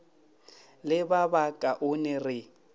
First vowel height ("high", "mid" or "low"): high